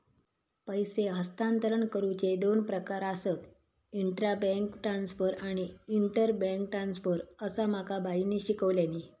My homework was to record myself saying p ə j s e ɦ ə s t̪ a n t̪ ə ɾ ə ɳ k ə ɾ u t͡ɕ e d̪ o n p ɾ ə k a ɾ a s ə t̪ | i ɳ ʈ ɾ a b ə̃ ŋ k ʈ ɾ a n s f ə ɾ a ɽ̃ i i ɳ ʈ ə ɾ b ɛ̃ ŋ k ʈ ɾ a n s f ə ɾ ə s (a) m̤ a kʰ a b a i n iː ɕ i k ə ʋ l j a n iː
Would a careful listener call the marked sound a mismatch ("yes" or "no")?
no